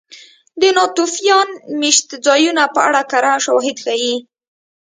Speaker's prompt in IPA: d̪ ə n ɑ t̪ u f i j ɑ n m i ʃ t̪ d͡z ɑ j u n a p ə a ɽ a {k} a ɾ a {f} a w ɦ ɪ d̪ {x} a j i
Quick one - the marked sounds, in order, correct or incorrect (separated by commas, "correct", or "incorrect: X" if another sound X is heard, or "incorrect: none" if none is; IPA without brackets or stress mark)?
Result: correct, incorrect: ʃ, correct